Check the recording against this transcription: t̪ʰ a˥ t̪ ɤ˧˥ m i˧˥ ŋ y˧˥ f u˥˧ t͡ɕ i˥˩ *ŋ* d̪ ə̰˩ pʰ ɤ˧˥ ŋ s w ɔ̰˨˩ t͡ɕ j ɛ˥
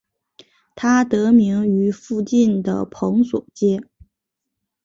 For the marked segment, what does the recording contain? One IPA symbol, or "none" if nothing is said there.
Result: n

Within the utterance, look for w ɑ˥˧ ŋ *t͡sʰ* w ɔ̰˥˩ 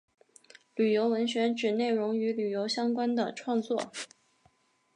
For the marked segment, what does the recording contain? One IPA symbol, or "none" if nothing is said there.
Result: t͡s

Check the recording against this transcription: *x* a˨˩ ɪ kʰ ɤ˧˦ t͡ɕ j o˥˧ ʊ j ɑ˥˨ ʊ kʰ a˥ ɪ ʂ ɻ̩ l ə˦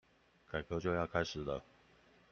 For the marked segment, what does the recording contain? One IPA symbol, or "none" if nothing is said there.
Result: k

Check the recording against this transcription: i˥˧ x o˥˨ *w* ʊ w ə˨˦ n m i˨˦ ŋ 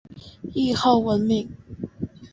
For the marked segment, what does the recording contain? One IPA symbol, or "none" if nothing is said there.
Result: none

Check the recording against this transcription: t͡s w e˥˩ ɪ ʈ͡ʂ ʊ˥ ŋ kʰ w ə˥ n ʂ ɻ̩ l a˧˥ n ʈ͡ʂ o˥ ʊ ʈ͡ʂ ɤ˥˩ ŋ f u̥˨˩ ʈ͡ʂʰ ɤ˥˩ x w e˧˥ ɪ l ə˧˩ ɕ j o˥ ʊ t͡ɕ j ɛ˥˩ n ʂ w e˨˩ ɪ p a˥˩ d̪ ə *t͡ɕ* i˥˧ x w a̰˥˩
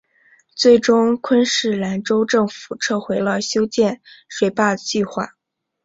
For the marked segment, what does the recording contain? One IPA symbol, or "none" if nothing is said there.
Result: t͡ɕ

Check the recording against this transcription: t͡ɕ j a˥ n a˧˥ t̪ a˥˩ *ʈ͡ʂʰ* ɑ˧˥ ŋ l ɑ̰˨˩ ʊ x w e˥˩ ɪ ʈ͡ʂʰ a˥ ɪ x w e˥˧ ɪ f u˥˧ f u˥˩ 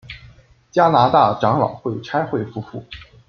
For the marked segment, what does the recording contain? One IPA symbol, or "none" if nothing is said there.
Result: ʈ͡ʂ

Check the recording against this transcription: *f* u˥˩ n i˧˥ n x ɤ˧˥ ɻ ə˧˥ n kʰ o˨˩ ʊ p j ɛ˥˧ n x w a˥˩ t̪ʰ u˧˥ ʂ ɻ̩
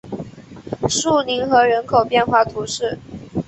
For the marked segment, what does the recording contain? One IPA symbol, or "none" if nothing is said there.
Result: ʂ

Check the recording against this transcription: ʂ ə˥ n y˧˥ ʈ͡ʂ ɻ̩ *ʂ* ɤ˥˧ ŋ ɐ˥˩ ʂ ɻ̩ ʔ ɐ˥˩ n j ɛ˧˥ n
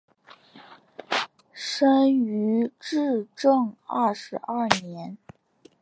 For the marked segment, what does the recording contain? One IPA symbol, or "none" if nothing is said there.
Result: ʈ͡ʂ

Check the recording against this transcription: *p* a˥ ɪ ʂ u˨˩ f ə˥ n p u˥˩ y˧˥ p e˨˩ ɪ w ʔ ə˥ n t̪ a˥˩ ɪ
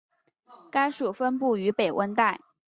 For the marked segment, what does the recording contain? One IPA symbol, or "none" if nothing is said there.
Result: k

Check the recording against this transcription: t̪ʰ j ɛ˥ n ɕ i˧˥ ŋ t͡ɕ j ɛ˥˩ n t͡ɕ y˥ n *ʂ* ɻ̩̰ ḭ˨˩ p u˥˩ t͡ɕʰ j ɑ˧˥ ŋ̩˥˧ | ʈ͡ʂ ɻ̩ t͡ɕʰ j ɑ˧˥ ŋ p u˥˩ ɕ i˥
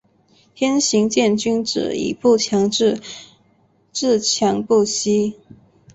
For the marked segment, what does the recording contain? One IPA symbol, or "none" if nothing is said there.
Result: ʈ͡ʂ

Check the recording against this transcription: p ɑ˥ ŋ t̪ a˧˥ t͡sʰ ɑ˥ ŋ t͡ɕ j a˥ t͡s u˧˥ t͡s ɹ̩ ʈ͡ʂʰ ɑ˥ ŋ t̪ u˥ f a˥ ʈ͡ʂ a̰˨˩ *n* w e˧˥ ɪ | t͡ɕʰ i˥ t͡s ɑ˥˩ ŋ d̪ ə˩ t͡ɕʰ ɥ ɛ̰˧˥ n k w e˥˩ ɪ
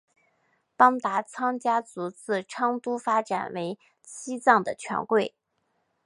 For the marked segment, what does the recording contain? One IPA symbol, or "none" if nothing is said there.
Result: n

